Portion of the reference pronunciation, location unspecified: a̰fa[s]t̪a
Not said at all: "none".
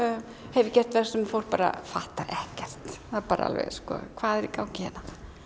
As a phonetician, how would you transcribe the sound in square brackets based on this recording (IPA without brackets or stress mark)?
h